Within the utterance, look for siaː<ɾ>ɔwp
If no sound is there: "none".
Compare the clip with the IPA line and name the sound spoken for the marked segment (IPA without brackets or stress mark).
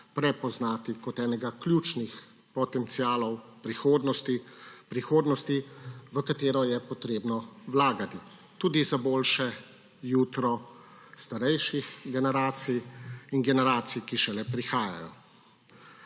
l